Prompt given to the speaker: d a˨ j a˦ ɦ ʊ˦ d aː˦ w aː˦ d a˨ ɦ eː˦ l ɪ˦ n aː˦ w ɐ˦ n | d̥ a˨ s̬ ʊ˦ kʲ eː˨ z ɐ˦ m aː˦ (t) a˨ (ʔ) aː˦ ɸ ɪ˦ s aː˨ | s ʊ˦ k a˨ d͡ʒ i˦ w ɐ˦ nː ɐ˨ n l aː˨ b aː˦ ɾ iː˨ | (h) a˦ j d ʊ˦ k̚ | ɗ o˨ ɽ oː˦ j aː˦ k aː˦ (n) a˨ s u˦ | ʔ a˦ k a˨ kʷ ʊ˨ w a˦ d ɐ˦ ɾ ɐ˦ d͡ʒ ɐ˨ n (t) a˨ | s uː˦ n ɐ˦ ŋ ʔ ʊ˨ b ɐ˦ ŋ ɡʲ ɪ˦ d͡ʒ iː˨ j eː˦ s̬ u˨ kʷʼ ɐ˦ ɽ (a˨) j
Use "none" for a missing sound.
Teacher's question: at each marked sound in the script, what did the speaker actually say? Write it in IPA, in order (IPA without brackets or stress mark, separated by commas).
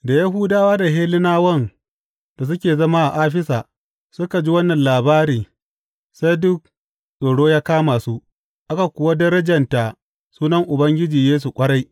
ʔ, ʔ, s, m, t, a˦